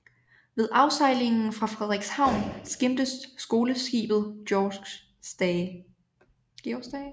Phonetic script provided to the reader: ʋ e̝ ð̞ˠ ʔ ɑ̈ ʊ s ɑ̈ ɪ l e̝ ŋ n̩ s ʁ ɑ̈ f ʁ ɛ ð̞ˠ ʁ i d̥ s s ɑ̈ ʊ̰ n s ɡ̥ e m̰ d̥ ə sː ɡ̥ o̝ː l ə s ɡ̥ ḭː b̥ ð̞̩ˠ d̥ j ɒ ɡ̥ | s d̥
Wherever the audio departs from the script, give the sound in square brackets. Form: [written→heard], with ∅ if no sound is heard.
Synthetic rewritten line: ʋ e̝ ð̞ˠ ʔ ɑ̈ ʊ s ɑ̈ ɪ l e̝ ŋ n̩ [s→f] ʁ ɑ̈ f ʁ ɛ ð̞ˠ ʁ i [d̥→ɡ̥] s [s→h] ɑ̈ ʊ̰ n s ɡ̥ e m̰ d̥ ə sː ɡ̥ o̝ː l ə s ɡ̥ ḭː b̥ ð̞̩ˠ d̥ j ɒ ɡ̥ | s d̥